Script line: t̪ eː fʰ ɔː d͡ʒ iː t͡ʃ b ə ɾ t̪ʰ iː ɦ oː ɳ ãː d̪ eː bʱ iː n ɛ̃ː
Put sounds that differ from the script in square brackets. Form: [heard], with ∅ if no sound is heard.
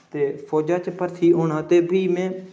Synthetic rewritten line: t̪ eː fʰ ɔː d͡ʒ [aː] t͡ʃ [p] ə ɾ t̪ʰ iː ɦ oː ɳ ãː [t̪] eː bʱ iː [m] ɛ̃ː